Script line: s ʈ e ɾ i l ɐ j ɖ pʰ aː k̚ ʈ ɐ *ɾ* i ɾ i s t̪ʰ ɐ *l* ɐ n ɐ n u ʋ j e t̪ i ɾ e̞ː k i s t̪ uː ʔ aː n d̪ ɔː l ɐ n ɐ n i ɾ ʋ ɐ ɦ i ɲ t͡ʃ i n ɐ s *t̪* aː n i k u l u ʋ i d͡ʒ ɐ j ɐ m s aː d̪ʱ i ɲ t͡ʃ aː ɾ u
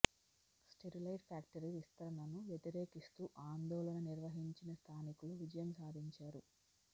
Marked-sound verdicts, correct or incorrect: correct, incorrect, incorrect

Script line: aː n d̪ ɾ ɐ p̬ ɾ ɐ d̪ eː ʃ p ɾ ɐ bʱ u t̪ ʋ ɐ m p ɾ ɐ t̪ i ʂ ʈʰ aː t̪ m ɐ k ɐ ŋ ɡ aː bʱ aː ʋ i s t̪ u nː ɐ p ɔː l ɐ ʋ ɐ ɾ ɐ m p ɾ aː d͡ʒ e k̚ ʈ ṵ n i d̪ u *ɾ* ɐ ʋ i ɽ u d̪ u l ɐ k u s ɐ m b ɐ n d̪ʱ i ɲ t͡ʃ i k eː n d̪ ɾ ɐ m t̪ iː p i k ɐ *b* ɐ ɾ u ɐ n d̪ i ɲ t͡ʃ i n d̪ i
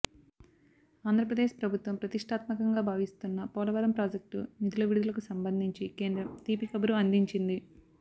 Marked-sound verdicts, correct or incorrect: incorrect, correct

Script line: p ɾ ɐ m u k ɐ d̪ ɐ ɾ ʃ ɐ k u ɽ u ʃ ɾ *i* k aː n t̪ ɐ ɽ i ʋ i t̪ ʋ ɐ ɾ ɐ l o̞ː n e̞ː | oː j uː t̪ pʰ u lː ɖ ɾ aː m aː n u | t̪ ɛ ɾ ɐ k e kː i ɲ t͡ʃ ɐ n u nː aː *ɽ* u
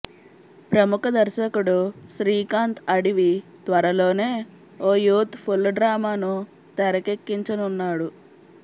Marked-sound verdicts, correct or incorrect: incorrect, correct

